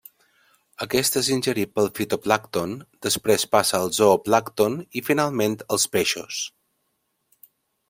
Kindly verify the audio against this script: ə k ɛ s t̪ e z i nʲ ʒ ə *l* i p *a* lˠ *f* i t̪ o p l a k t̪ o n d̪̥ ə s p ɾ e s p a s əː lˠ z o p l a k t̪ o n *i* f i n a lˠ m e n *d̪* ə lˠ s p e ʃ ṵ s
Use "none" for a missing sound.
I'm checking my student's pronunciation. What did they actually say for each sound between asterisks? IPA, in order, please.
ɾ, ə, f, i, t̪

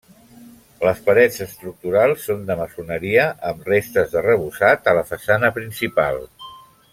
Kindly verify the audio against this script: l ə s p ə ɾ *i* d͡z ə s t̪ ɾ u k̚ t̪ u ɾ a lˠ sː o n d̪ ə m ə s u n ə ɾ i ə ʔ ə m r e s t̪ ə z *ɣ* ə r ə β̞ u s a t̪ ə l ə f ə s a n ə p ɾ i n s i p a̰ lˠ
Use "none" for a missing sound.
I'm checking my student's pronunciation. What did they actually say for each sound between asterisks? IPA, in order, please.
ɛ, ð

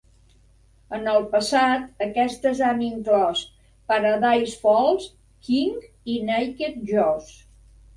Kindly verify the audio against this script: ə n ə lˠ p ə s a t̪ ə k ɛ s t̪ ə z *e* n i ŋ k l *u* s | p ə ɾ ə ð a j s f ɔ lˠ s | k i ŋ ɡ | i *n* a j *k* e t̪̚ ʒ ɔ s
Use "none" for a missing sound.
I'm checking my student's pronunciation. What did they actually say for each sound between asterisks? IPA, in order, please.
a, ɔ, n, k

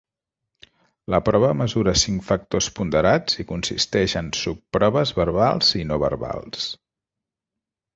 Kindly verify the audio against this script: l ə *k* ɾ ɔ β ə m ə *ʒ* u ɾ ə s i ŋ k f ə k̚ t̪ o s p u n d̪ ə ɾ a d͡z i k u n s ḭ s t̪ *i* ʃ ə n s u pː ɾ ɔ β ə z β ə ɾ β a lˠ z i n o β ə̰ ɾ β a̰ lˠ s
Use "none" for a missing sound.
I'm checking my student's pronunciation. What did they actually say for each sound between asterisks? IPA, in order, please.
p, z, ɛ

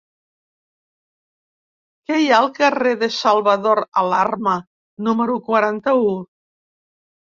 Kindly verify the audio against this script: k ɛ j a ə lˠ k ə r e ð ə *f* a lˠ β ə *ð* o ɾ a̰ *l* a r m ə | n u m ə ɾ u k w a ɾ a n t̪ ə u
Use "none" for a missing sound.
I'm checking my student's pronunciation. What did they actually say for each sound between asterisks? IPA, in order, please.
s, ð, l

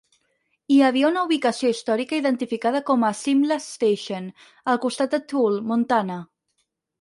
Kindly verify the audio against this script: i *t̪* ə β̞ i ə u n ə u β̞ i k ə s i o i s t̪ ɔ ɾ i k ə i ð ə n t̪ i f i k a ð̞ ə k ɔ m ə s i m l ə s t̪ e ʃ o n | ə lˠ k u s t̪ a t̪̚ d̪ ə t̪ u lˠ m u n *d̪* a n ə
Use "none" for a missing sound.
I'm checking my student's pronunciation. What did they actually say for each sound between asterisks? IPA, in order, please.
none, t̪

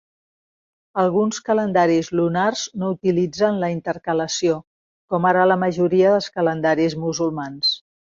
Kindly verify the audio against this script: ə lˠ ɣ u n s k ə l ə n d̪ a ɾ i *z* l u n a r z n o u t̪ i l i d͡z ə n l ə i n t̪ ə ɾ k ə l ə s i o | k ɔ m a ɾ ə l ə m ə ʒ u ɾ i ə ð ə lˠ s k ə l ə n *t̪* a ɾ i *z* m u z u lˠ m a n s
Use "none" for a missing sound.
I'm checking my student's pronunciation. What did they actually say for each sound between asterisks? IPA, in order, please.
z, d̪, z

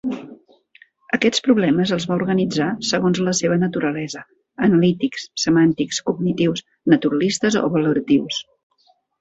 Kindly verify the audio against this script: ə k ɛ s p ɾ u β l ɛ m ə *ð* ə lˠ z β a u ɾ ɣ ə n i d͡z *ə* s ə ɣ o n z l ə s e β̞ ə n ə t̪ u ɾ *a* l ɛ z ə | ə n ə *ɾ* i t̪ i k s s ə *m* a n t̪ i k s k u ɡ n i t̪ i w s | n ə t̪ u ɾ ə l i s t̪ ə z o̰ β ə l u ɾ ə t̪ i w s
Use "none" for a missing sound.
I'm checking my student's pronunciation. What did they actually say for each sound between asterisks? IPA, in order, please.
z, a, ə, l, m

